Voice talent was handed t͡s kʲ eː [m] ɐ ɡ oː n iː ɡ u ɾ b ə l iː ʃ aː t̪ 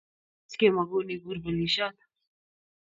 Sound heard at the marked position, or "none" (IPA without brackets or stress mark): m